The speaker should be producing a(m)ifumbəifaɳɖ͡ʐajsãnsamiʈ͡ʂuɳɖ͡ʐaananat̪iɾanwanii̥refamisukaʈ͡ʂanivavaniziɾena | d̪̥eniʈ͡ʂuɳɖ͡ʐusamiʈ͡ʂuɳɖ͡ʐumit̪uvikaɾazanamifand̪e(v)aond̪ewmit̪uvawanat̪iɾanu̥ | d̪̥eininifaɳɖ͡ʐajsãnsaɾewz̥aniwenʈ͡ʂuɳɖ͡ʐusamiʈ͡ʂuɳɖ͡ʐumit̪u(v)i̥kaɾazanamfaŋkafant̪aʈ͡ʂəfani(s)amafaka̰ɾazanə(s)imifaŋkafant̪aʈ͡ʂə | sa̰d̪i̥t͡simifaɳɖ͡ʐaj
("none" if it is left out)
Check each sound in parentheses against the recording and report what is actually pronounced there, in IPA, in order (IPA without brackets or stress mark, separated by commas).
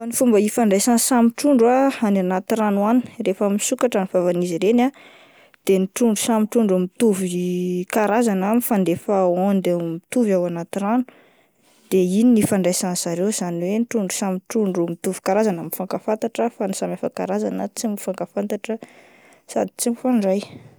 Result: n, f, v, s, t͡s